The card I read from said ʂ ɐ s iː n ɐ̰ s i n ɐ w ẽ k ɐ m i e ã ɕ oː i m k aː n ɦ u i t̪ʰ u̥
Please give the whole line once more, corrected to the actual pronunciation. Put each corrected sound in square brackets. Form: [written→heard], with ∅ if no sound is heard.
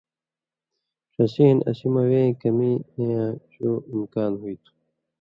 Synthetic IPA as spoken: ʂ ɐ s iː n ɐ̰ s i [n→m] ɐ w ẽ k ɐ m i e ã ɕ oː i m k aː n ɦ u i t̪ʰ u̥